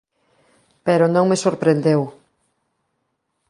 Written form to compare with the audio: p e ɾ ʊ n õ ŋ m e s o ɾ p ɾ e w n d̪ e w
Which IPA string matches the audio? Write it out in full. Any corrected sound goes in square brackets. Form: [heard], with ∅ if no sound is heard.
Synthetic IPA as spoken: p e ɾ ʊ n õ ŋ m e s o ɾ p ɾ e [∅] n d̪ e w